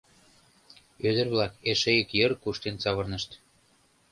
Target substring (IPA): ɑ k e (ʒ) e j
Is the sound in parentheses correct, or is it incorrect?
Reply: incorrect